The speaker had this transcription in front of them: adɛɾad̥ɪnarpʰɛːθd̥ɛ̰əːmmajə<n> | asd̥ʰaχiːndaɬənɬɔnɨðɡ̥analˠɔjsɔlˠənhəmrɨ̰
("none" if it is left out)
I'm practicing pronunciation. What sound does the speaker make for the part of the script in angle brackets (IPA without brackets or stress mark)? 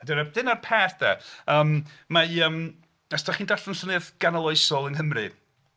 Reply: m